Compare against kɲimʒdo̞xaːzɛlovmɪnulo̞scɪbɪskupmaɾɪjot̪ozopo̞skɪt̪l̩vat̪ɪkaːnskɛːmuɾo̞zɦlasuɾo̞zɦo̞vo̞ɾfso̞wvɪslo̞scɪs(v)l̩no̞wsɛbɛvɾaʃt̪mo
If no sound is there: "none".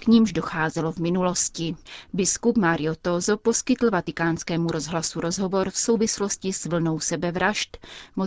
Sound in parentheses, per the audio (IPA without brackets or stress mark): v